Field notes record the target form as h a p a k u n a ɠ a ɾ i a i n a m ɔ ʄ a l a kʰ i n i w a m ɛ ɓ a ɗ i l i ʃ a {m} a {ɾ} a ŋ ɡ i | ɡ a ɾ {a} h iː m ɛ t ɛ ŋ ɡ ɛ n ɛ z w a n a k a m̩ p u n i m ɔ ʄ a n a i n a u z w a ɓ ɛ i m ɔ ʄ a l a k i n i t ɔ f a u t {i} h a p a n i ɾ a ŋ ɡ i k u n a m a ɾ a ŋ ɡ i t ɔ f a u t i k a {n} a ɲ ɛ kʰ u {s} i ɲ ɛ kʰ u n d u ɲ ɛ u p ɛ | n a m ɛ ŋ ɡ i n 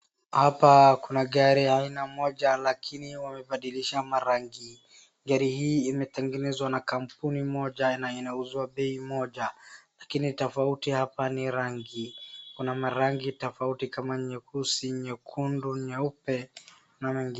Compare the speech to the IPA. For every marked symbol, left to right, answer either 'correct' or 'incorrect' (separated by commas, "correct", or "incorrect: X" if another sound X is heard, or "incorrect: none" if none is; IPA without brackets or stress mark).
correct, correct, incorrect: i, correct, incorrect: m, correct